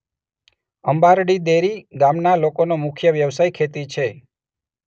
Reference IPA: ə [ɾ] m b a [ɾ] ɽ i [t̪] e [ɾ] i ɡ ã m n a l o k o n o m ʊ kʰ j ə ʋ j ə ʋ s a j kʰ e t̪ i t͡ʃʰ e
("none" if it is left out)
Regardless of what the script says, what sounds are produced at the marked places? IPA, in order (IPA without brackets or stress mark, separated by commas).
none, ɾ, d̪, ɾ